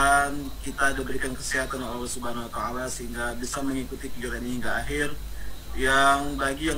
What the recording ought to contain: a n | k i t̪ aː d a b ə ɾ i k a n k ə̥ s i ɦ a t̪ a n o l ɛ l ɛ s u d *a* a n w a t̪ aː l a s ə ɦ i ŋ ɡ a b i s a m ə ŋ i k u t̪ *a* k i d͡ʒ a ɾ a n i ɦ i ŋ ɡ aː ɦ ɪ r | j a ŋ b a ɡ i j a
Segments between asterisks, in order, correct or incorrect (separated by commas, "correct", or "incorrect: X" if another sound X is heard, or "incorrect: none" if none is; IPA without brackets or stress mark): correct, incorrect: i